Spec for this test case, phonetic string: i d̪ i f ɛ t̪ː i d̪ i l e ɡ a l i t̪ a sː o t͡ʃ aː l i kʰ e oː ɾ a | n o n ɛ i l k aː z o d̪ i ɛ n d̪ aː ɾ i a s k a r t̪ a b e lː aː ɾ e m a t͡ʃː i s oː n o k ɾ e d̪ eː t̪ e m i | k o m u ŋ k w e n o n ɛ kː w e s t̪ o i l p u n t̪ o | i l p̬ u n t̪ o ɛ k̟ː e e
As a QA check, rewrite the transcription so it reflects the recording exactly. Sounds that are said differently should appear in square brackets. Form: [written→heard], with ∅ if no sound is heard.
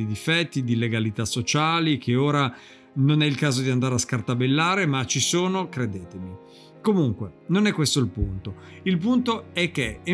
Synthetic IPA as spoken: i d̪ i f ɛ t̪ː i d̪ i l e ɡ a l i t̪ a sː o t͡ʃ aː l i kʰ e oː ɾ a | n o n ɛ i l k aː z o d̪ i [ɛ→a] n d̪ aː ɾ [i→e] a s k a r t̪ a b e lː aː ɾ e m a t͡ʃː i s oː n o k ɾ e d̪ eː t̪ e m i | k o m u ŋ k w e n o n ɛ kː w e s t̪ o i l p u n t̪ o | i l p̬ u n t̪ o ɛ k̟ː e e